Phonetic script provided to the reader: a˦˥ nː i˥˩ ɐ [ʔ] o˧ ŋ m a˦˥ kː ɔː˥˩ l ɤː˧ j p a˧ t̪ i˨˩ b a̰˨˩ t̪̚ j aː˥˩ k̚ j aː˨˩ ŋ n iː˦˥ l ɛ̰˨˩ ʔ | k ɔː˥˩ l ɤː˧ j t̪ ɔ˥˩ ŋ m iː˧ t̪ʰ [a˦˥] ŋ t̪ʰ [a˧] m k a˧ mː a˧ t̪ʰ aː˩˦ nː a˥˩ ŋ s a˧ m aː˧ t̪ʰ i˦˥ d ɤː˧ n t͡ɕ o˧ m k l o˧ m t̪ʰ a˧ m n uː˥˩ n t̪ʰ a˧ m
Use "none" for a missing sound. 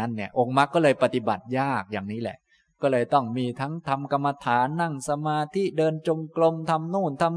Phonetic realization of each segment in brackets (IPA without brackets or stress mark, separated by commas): ʔ, a˦˥, a˧